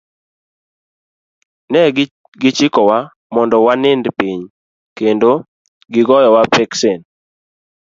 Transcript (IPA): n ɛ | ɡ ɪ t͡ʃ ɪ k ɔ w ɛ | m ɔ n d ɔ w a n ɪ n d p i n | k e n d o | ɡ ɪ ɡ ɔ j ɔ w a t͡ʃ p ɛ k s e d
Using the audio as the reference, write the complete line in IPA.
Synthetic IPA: n ɛ | ɡ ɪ t͡ʃ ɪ k ɔ w a | m ɔ n d ɔ w a n ɪ n d p i ɲ | k e n d o | ɡ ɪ ɡ ɔ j ɔ w a p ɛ k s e n

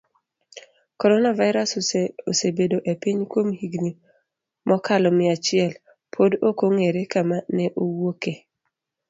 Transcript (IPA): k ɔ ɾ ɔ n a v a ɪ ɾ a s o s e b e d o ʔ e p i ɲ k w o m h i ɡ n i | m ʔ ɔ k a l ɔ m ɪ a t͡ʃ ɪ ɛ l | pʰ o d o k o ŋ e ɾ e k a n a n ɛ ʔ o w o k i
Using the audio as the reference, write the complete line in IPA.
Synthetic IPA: k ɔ ɾ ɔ n a v a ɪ ɾ a s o s e b e d o ʔ e p i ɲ k w o m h i ɡ n i | m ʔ ɔ k a l ɔ m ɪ a t͡ʃ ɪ ɛ l | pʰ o d o k o ŋ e ɾ e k a m a n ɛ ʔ o w o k e

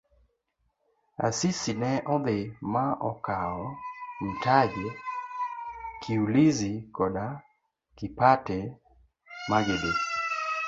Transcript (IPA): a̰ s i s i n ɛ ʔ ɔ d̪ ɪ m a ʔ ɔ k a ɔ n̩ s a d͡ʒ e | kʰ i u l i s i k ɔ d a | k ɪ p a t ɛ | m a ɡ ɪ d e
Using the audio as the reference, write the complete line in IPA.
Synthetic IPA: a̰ s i s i n ɛ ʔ ɔ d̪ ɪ m a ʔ ɔ k a ɔ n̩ t a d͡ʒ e | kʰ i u l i z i k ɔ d a | k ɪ p a t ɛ | m a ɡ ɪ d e

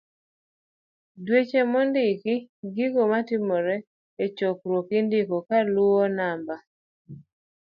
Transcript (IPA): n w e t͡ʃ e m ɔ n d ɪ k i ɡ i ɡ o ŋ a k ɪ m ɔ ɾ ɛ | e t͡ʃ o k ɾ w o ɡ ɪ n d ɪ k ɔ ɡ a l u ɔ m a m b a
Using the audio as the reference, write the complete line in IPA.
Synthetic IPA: d w e t͡ʃ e m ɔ n d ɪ k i ɡ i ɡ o m a t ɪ m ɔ ɾ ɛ | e t͡ʃ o k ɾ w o k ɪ n d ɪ k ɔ k a l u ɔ n a m b a

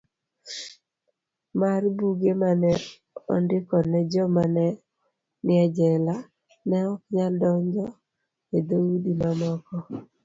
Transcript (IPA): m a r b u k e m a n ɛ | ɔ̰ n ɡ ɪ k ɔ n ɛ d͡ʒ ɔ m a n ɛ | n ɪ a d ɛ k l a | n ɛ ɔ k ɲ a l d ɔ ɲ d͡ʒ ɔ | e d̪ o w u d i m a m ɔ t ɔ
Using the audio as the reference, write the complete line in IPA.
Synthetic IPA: m a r b u ɡ e m a n ɛ | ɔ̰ n d ɪ k ɔ n ɛ d͡ʒ ɔ m a n ɛ | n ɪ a d͡ʒ ɛ l a | n ɛ ɔ k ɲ a l d ɔ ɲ d͡ʒ ɔ | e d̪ o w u d i m a m ɔ k ɔ

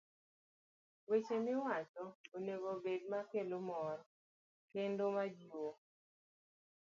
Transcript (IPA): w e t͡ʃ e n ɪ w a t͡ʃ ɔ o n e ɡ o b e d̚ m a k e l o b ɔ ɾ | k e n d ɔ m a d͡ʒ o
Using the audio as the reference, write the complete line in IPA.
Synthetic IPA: w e t͡ʃ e m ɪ w a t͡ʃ ɔ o n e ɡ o b e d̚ m a k e l o m ɔ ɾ | k e n d o m a d͡ʒ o

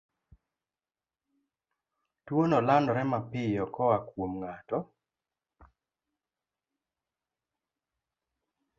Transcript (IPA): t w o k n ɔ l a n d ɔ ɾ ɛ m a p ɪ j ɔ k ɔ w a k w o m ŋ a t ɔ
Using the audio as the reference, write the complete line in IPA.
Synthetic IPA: t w o n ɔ l a n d ɔ ɾ ɛ m a p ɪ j ɔ k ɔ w a k w o m ŋ a t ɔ

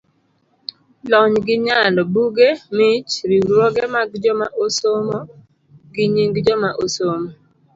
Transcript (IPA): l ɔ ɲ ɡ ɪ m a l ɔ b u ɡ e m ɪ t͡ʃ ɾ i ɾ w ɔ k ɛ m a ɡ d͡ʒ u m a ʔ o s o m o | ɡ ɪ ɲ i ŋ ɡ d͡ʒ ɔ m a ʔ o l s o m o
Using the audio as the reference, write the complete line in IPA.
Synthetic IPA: l ɔ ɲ ɡ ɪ ɲ a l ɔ b u ɡ e m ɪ t͡ʃ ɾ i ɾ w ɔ ɡ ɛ m a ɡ d͡ʒ ɔ m a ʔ o s o m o | ɡ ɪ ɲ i ŋ ɡ d͡ʒ ɔ m a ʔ o s o m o

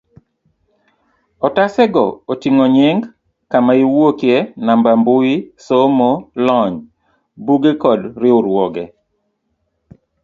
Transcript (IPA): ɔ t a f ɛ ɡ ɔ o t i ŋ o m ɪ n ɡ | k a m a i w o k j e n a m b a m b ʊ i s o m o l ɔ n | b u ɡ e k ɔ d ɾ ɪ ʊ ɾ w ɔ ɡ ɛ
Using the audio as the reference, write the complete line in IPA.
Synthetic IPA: ɔ t a s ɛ ɡ ɔ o t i ŋ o ɲ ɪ ŋ ɡ | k a m a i w o k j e n a m b a m b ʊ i s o m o l ɔ ɲ | b u ɡ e k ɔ d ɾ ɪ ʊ ɾ w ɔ ɡ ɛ

